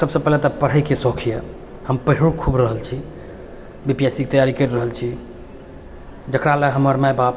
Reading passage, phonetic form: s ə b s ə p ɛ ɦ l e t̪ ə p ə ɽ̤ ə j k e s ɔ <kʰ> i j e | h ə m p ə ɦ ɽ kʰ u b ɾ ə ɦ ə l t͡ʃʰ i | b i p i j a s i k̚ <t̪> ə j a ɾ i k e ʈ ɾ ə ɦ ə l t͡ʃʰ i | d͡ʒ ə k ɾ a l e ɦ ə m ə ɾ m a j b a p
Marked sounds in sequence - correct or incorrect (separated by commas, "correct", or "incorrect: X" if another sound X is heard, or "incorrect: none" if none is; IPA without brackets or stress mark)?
correct, correct